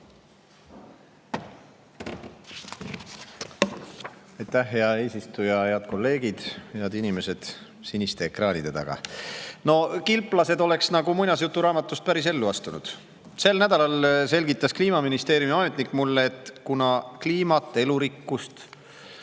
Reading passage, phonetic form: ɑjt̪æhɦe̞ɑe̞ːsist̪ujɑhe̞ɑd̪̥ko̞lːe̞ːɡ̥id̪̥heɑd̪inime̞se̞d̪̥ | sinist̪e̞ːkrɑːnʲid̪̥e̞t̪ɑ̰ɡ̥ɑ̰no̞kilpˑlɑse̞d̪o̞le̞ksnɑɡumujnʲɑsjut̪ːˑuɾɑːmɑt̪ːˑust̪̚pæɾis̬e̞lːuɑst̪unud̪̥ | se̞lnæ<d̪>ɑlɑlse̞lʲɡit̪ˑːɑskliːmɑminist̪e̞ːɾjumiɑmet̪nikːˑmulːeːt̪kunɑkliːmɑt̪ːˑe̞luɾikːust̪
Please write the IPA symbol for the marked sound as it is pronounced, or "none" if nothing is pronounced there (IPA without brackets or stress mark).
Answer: d̪